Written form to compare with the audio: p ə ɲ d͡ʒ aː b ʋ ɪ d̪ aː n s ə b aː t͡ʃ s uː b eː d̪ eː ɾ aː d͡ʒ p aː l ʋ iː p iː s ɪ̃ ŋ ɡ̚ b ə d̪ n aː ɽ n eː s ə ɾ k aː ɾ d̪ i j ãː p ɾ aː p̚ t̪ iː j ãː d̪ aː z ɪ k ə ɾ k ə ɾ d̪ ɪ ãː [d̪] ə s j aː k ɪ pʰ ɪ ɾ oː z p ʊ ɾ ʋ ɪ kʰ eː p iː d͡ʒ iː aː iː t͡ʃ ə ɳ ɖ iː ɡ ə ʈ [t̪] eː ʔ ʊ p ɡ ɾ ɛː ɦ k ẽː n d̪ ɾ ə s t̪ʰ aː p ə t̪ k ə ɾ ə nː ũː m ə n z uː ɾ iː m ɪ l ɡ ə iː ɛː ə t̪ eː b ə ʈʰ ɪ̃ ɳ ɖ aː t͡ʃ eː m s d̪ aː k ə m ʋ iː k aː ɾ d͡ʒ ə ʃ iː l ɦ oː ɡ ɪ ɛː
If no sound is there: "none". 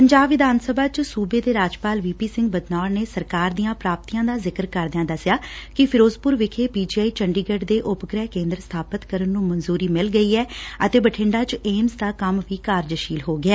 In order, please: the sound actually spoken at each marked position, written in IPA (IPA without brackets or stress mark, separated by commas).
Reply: d̪, d̪